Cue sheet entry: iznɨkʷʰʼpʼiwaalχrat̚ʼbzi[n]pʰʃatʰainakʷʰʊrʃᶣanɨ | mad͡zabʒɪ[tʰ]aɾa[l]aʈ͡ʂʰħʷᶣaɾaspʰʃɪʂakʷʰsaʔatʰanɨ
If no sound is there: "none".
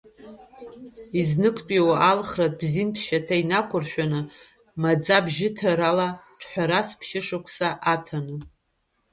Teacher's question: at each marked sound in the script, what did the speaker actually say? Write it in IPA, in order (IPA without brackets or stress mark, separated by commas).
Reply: n, tʰ, l